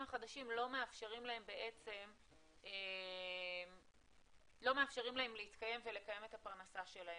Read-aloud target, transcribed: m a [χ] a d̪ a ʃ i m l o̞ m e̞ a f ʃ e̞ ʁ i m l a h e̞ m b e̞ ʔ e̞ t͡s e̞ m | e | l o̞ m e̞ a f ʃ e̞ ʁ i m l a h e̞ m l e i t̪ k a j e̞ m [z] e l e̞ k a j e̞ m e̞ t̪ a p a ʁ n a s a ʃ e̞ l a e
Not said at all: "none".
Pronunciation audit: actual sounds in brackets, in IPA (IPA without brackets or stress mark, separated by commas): χ, v